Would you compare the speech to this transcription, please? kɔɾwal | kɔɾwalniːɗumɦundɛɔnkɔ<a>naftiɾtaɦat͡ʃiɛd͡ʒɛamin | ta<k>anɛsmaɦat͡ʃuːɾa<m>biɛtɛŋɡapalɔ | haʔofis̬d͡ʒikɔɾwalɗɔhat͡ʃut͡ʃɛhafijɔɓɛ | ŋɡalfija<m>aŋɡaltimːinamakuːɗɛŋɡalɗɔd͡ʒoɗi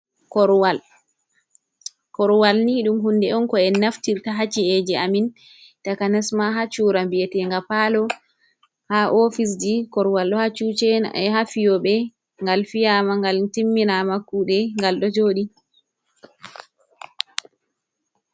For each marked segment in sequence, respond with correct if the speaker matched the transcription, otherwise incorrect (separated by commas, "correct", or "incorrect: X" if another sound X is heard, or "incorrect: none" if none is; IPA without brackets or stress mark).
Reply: incorrect: ɛ, correct, correct, correct